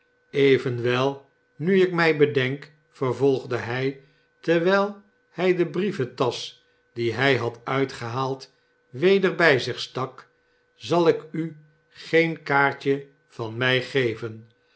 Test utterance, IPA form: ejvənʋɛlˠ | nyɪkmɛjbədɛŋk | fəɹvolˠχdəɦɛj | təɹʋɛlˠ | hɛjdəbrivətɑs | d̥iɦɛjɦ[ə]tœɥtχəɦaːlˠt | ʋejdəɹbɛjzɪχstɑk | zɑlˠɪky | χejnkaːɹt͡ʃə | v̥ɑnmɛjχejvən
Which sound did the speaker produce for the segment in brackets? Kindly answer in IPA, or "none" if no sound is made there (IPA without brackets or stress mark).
ɑ